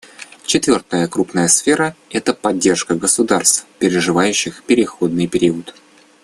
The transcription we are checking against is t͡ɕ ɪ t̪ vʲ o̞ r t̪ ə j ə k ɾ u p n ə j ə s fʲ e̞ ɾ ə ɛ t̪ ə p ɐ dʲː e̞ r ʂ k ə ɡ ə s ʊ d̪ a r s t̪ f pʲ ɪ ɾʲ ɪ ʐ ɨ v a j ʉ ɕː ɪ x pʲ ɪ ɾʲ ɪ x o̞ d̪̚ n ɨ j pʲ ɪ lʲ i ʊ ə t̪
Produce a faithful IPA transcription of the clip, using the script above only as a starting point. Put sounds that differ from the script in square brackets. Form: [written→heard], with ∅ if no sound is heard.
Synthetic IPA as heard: t͡ɕ ɪ t̪ vʲ o̞ r t̪ ə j ə k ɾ u p n ə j ə s fʲ e̞ ɾ ə ɛ t̪ ə p ɐ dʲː e̞ r ʂ k ə ɡ ə s ʊ d̪ a r s t̪ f pʲ ɪ ɾʲ ɪ ʐ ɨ v a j ʉ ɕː ɪ x pʲ ɪ ɾʲ ɪ x o̞ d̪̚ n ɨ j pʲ ɪ [lʲ→ɾʲ] i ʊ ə t̪